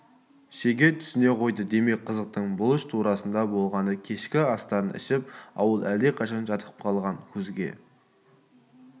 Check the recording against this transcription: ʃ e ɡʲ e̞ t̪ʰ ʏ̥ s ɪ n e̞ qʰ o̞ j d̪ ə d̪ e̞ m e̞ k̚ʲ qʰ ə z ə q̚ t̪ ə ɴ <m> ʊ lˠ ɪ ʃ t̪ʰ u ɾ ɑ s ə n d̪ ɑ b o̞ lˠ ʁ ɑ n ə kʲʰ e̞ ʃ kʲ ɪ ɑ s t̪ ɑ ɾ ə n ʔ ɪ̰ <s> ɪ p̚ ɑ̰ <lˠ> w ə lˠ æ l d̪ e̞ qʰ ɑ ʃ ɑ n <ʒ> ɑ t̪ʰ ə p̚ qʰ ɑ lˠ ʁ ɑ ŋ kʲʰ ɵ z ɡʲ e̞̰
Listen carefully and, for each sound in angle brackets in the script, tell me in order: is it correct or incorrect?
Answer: incorrect: b, incorrect: ʃ, incorrect: none, correct

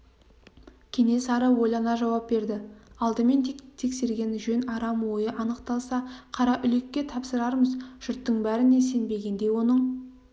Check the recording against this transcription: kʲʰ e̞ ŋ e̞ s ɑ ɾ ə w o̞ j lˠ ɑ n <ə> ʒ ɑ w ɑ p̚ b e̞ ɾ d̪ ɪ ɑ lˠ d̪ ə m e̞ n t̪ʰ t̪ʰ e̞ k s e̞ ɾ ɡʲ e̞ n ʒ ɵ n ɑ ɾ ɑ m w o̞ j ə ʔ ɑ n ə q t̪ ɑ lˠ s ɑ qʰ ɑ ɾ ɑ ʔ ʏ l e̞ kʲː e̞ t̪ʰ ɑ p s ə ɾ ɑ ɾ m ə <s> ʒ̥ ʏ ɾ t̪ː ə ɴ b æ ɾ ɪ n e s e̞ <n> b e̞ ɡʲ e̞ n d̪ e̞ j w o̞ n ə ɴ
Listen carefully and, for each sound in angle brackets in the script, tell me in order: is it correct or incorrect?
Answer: incorrect: ɑ, incorrect: z, correct

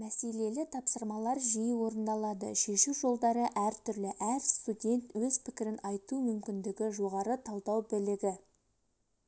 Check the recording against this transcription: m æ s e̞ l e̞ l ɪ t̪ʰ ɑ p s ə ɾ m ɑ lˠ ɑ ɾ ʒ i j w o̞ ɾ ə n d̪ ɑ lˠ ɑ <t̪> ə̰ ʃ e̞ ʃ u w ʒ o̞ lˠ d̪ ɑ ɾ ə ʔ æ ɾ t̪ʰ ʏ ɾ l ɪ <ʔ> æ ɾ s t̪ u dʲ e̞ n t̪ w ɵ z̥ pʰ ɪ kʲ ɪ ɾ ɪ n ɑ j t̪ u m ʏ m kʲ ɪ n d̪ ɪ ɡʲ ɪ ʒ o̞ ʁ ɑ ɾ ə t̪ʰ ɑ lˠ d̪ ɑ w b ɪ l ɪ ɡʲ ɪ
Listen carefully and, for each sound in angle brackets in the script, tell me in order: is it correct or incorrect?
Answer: incorrect: d̪, correct

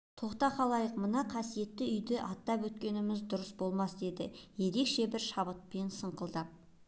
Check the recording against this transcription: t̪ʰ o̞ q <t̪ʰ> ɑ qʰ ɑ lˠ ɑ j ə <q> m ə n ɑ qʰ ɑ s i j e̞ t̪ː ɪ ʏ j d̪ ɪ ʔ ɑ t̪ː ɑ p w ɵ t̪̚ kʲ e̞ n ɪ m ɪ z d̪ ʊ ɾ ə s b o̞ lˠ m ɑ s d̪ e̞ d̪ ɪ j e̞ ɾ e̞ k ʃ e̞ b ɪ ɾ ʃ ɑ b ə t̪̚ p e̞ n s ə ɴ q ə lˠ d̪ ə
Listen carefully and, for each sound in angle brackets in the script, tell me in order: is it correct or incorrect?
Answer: incorrect: t̪, correct

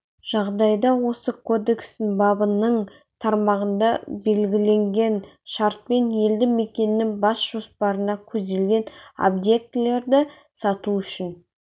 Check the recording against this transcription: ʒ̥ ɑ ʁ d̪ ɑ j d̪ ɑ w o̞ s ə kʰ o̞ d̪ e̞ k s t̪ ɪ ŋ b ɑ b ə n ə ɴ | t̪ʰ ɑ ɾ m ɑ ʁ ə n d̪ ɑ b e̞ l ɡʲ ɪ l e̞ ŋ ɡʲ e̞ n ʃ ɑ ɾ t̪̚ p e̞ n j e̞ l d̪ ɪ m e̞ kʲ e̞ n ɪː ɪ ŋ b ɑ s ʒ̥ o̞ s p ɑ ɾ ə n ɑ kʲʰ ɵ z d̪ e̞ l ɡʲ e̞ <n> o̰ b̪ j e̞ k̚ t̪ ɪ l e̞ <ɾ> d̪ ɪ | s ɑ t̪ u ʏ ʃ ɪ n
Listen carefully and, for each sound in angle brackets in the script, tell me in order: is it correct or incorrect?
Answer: correct, correct

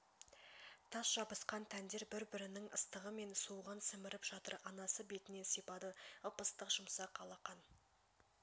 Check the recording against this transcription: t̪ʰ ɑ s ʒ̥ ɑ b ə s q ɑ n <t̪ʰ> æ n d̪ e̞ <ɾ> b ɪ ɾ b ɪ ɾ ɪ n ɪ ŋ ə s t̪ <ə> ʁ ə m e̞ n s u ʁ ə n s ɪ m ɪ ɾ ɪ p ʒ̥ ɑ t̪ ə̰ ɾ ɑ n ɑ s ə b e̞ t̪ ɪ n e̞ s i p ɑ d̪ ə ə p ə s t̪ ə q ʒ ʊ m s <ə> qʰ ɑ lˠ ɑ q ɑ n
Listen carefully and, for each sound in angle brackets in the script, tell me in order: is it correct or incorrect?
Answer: correct, correct, correct, incorrect: ɑ

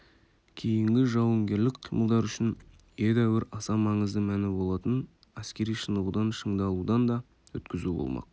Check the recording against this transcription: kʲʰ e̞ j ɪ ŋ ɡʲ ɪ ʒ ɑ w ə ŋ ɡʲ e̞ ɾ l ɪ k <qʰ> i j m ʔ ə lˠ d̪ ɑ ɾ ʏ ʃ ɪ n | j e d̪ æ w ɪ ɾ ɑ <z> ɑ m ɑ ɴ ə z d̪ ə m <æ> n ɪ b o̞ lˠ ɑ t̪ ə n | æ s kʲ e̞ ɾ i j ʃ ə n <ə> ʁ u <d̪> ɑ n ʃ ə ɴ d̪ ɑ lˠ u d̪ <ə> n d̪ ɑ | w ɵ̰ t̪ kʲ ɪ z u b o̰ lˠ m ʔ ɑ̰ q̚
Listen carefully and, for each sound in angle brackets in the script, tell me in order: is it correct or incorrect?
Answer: correct, incorrect: s, correct, correct, correct, incorrect: ɑ

